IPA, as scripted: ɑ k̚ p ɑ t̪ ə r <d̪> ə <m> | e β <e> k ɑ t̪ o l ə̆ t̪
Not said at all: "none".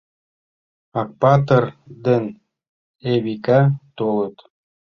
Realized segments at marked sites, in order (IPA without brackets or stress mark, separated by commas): d̪, n, i